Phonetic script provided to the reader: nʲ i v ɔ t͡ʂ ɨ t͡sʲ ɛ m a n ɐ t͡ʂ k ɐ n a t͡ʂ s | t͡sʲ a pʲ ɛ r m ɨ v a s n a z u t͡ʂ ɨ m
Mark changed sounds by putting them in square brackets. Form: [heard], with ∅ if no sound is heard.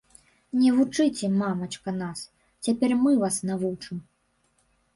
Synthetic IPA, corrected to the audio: nʲ [ɛ] v [u] t͡ʂ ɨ t͡sʲ ɛ m a [m] ɐ t͡ʂ k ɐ n a [∅] s | t͡sʲ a pʲ ɛ r m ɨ v a s n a [v] u t͡ʂ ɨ m